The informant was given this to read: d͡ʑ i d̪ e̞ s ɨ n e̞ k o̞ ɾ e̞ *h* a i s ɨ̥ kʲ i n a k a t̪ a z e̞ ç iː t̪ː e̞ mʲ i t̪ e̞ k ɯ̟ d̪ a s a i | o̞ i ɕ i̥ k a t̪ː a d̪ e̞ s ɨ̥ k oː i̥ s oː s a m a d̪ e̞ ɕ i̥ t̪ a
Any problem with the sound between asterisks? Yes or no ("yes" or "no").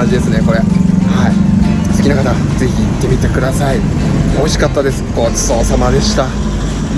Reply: no